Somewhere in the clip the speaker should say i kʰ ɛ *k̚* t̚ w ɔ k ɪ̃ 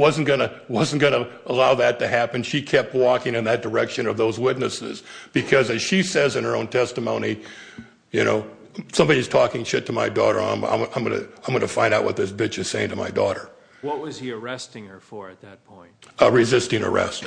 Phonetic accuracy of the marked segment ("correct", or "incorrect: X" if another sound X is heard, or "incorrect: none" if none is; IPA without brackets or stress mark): incorrect: p̚